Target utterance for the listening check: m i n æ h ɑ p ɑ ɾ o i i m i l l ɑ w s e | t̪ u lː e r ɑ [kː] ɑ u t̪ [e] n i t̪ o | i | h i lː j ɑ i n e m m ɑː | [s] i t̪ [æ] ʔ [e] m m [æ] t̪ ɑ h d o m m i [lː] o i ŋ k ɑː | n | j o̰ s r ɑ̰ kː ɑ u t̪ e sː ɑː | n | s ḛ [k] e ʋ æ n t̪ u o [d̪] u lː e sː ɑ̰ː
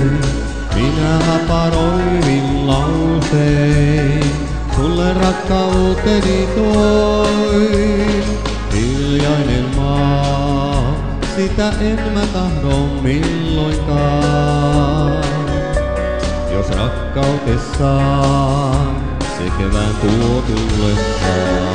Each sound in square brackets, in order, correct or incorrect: correct, correct, correct, correct, correct, correct, correct, correct, incorrect

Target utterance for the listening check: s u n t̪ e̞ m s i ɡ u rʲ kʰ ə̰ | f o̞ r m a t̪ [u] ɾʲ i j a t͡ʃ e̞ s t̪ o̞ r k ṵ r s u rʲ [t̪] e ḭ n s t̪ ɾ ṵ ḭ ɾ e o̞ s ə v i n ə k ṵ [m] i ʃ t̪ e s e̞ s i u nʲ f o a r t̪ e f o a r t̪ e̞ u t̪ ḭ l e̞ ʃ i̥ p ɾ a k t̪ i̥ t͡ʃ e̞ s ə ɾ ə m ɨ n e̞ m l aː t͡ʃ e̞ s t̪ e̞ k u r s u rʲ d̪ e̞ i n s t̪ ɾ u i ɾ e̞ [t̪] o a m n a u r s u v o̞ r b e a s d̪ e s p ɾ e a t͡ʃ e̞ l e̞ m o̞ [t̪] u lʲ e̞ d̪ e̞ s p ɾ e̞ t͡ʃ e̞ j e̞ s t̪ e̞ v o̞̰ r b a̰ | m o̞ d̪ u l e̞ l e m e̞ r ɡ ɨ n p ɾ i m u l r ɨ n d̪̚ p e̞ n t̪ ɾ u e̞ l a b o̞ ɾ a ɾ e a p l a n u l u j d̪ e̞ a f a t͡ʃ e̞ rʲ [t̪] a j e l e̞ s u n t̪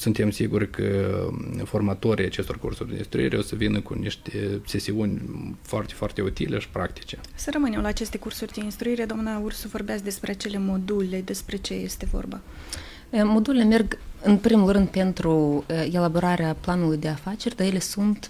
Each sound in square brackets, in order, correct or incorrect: incorrect, incorrect, incorrect, incorrect, incorrect, incorrect

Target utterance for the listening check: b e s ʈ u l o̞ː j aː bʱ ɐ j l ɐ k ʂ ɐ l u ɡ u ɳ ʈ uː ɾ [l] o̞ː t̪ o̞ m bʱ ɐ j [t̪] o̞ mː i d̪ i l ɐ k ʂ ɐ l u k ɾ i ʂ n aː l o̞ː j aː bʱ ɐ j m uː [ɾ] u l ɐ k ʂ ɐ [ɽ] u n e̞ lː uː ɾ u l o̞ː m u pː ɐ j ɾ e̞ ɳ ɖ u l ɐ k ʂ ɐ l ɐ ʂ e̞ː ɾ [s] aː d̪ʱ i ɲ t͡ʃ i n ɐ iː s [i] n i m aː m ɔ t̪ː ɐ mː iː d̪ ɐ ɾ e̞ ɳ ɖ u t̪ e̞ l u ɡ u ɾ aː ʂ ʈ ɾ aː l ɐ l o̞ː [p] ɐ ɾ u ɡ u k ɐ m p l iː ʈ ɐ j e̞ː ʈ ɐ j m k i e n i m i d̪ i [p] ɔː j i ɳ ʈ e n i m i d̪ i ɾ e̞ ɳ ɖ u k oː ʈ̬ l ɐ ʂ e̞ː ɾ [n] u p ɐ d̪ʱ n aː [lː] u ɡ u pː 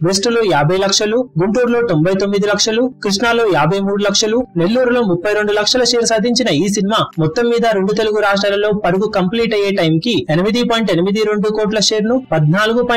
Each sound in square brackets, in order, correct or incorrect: correct, correct, incorrect, incorrect, correct, correct, correct, correct, correct, incorrect

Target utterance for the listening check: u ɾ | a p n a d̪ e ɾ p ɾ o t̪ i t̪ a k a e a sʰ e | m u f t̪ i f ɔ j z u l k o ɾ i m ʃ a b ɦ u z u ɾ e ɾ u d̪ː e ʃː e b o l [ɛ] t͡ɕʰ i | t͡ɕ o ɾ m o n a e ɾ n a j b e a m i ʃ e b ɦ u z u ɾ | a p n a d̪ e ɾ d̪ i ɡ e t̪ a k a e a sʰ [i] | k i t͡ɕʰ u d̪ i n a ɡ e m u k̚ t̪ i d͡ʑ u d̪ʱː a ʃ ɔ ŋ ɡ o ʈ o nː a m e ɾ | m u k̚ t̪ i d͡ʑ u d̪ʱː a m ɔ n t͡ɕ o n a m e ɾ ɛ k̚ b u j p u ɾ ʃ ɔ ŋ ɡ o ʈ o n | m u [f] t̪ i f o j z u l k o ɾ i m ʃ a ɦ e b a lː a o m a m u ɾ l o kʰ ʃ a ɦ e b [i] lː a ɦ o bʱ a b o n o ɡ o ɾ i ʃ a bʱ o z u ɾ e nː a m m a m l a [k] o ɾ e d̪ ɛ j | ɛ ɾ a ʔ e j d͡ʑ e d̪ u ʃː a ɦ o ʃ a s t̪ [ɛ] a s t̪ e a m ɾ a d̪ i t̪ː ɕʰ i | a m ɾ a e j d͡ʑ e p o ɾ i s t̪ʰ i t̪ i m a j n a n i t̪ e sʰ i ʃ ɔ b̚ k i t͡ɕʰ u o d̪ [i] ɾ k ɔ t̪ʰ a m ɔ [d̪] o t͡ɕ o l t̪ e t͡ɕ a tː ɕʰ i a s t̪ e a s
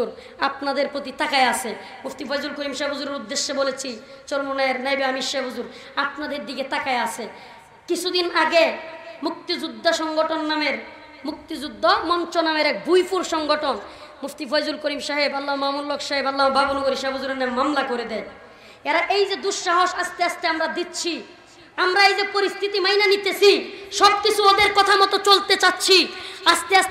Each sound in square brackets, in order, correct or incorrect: incorrect, incorrect, correct, incorrect, correct, incorrect, incorrect, incorrect

